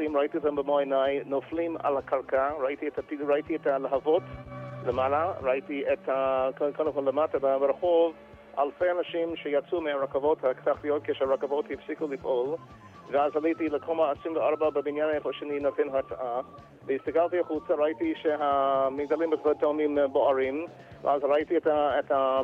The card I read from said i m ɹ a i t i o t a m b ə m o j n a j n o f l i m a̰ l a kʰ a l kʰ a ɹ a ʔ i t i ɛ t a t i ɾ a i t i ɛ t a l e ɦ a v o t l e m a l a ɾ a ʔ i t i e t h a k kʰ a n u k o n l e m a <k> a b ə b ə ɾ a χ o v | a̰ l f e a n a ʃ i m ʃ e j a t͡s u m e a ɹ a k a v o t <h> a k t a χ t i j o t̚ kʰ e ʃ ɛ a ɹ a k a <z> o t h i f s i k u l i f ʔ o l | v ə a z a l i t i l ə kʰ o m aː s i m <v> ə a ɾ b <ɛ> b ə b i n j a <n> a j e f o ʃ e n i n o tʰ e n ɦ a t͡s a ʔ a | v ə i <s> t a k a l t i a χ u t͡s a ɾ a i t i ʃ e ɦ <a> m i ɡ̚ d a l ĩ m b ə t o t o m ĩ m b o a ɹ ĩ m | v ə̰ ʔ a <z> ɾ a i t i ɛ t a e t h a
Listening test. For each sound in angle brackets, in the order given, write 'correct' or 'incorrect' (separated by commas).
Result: incorrect, correct, incorrect, correct, incorrect, correct, correct, correct, correct